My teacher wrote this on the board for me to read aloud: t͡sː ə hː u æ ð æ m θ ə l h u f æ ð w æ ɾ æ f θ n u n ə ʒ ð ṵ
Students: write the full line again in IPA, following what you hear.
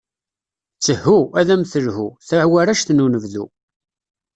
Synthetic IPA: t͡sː ə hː u æ ð æ m θ ə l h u θ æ ʕ w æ ɾ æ ʃ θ n u n ə v ð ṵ